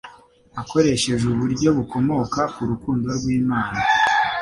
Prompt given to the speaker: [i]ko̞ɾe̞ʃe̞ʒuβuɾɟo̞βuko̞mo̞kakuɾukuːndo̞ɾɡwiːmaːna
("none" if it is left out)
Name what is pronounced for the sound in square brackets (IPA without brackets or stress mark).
a